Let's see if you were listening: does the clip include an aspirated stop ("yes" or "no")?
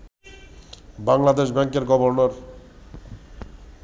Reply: no